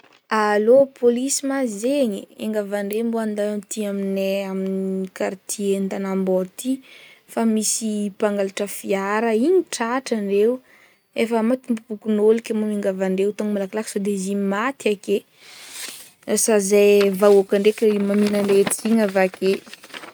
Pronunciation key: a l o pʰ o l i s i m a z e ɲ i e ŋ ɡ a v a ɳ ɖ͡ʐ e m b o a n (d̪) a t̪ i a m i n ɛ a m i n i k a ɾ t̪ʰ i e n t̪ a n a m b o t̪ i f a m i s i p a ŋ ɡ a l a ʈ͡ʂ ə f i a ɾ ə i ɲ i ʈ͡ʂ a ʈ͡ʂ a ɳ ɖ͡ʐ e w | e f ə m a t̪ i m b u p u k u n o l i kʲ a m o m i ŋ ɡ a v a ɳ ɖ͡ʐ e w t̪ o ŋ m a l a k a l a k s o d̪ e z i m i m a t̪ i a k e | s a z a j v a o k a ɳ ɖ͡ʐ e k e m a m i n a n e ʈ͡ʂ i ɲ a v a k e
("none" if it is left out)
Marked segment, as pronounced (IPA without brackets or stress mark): d̪